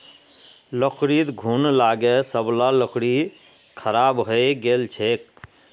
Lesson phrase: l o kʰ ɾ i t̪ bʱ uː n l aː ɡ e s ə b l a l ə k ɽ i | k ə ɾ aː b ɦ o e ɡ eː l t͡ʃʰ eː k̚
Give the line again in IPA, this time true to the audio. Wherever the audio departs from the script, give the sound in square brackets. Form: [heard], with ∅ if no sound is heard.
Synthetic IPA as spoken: l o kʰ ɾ i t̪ [ɡʱ] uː n l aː ɡ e s ə b l a l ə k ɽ i | [kʰ] ə ɾ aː b ɦ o e ɡ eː l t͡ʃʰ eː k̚